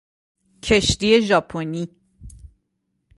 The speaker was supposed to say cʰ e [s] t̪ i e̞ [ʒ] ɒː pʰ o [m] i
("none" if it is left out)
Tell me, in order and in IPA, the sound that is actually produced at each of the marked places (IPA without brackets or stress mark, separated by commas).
ʃ, ʒ, n